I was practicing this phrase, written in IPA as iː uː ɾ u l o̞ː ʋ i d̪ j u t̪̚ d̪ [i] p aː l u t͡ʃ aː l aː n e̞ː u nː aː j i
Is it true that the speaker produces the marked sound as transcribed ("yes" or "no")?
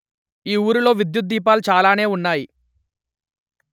no